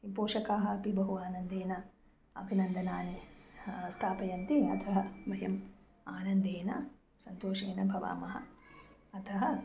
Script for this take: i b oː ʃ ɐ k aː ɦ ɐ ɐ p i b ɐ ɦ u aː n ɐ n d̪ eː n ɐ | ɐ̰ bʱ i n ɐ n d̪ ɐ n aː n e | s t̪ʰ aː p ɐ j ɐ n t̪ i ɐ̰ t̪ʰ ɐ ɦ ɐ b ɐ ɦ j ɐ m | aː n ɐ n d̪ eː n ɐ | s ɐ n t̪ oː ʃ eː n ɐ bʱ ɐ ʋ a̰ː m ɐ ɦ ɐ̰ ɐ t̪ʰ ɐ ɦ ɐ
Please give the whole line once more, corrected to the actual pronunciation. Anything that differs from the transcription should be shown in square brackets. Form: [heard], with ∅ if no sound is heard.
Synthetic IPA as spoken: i [p] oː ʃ ɐ k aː ɦ ɐ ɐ p i b ɐ ɦ u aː n ɐ n d̪ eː n ɐ | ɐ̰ bʱ i n ɐ n d̪ ɐ n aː n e | s t̪ʰ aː p ɐ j ɐ n t̪ i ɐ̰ t̪ʰ ɐ ɦ ɐ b ɐ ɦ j ɐ m | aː n ɐ n d̪ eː n ɐ | s ɐ n t̪ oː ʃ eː n ɐ bʱ ɐ ʋ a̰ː m ɐ ɦ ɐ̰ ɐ t̪ʰ ɐ ɦ ɐ